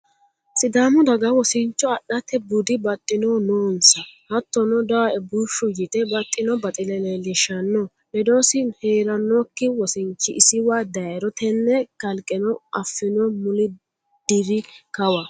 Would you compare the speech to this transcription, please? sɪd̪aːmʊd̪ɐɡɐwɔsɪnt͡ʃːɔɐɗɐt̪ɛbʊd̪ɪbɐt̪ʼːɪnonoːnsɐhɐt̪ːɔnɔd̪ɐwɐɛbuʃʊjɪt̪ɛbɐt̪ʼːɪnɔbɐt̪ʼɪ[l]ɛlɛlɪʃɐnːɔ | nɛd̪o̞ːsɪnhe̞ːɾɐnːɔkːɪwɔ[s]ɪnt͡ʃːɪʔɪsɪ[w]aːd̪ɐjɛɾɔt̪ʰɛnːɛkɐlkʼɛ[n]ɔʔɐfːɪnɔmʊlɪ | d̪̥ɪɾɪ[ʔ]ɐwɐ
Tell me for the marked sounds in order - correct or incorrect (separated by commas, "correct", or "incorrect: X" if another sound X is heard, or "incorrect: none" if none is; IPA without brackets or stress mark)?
correct, correct, correct, correct, incorrect: k